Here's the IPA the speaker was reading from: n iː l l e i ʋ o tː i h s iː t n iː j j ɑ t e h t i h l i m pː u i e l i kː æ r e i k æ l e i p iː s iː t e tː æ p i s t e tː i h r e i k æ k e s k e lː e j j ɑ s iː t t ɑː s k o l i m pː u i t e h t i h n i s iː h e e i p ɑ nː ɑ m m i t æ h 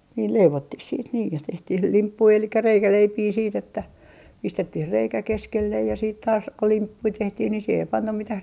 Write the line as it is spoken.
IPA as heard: n iː l l e i ʋ o tː i h s iː t n iː j j ɑ t e h t i h l i m pː u i e l i kː æ r e i k æ l e i p iː s iː t e tː æ p i s t e tː i h r e i k æ k e s k e lː e j j ɑ s iː t t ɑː s k o l i m pː u i t e h t i h n i s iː h e e i p ɑ nː ɑ m m i t æ h